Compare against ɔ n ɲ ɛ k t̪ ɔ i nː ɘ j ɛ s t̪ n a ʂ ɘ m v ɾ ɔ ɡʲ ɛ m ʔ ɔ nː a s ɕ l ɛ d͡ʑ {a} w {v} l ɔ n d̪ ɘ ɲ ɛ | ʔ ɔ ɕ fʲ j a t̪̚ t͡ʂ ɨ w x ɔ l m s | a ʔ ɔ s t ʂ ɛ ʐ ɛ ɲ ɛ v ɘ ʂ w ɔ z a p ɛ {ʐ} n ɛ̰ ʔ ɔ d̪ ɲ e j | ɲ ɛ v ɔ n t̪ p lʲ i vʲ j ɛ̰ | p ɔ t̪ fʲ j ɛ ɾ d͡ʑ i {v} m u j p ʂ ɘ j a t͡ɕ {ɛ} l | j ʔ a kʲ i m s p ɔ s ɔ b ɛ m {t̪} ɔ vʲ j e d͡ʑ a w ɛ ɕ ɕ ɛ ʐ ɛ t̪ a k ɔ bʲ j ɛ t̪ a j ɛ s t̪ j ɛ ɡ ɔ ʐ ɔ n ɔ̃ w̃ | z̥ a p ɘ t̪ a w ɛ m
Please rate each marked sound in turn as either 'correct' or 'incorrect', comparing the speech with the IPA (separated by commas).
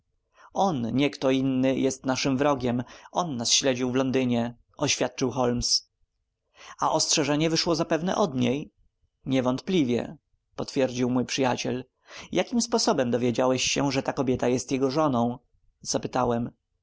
incorrect, correct, incorrect, incorrect, correct, incorrect